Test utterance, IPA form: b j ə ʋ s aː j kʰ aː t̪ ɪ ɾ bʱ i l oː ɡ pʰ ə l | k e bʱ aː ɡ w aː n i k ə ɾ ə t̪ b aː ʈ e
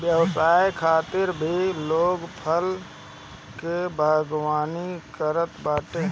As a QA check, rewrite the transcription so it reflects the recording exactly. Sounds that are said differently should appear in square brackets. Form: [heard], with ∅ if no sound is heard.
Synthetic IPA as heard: b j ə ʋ s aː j kʰ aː t̪ ɪ ɾ bʱ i l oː ɡ pʰ ə l | k e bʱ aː ɡ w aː n i k ə ɾ ə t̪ b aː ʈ e